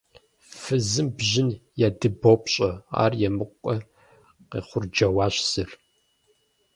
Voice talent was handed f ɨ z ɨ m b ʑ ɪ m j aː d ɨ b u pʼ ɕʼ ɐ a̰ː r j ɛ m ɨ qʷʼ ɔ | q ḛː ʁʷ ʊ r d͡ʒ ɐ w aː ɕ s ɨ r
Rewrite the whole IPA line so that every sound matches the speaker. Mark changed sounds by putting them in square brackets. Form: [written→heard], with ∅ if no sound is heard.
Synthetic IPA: f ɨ z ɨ m b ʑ ɪ [m→n] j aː d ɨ b [u→o] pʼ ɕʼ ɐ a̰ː r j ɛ m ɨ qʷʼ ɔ | q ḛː [ʁʷ→χʷ] ʊ r d͡ʒ ɐ w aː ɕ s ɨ r